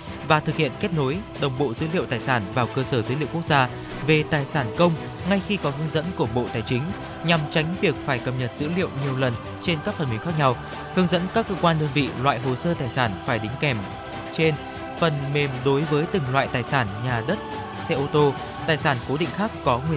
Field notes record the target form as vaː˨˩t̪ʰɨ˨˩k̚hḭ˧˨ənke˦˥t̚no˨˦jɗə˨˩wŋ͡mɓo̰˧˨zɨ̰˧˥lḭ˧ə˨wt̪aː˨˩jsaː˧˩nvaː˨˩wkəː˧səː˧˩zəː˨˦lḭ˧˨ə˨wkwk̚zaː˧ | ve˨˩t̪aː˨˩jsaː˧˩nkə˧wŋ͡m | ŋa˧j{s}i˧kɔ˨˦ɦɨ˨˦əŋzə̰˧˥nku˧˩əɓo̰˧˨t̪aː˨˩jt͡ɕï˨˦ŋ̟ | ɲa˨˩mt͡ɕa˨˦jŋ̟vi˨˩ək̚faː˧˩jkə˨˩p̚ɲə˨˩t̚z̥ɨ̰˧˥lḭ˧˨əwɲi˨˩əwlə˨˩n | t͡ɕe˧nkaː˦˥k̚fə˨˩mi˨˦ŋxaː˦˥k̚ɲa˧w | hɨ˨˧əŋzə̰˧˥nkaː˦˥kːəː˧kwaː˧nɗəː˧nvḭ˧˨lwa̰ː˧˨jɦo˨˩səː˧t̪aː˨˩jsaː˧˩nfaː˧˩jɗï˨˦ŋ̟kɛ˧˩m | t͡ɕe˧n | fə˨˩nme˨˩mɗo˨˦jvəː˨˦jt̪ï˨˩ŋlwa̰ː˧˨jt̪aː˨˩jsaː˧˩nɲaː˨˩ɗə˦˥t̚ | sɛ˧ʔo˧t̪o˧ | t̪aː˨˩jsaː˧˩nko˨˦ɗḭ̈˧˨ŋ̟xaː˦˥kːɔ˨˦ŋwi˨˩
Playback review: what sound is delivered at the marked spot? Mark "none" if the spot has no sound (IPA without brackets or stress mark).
x